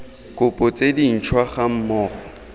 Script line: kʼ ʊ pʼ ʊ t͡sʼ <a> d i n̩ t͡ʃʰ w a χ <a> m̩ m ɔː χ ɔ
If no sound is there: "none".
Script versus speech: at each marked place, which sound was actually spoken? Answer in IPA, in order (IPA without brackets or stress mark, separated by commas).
e, a